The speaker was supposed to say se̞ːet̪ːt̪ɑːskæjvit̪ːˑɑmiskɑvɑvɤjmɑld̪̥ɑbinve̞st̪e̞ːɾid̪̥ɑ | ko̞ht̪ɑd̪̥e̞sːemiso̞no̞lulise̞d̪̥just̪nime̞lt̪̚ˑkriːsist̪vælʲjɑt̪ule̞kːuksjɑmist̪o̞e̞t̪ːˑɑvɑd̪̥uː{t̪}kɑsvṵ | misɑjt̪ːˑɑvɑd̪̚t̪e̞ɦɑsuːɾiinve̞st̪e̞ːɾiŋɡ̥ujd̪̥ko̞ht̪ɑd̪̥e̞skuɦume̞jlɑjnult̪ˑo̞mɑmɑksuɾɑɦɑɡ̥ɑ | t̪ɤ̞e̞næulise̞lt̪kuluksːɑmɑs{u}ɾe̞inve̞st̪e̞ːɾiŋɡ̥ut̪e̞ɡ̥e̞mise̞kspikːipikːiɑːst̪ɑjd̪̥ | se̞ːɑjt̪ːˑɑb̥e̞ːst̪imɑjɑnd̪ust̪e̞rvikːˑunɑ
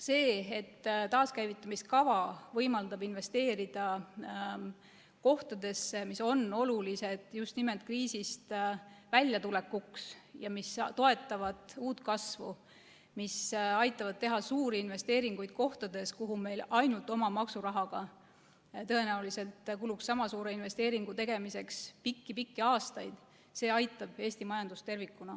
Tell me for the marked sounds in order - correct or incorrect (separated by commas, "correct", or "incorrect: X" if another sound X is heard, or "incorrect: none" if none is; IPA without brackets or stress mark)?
correct, incorrect: uː